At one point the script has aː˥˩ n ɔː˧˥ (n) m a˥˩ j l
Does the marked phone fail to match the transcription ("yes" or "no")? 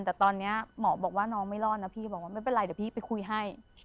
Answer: yes